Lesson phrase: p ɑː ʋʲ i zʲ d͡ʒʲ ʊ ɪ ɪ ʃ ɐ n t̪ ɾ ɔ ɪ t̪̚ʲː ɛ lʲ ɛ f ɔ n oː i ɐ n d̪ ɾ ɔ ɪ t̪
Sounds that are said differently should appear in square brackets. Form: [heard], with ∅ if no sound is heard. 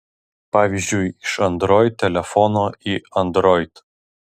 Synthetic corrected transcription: p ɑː ʋʲ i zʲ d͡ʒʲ ʊ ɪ ɪ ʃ ɐ n [d̪] ɾ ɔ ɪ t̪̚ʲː ɛ lʲ ɛ f ɔ n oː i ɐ n d̪ ɾ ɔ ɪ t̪